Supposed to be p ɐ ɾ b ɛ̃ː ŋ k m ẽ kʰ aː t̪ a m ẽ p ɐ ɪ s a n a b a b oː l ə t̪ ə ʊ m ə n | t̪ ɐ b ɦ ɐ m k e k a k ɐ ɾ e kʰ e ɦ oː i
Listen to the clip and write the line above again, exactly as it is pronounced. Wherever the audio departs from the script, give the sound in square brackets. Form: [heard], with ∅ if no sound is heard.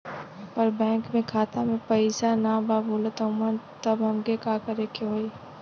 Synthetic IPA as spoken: p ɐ ɾ b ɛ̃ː ŋ k m ẽ kʰ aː t̪ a m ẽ p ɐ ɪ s a n a b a b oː l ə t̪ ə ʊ m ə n | t̪ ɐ b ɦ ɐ m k e k a k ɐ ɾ e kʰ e ɦ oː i